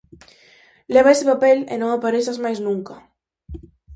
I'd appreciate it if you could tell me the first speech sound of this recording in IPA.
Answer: l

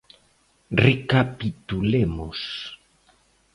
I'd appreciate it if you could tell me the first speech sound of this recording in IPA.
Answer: r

